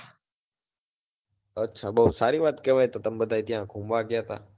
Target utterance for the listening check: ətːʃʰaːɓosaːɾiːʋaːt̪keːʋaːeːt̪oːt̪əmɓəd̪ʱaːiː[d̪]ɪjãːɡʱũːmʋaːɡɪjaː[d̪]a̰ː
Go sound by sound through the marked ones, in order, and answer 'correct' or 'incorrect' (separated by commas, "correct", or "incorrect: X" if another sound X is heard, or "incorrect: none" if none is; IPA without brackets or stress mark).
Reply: incorrect: t̪, incorrect: t̪